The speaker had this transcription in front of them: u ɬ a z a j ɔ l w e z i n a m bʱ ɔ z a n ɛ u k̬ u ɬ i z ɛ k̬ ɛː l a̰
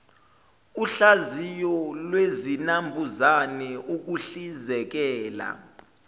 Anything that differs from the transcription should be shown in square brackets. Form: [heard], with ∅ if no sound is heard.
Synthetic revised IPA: u ɬ a z [i] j ɔ l w e z i n a m bʱ [u] z a n ɛ u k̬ u ɬ i z ɛ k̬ ɛː l a̰